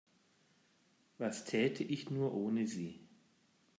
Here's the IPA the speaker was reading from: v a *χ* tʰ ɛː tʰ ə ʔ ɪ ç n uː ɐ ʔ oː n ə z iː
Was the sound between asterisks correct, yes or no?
no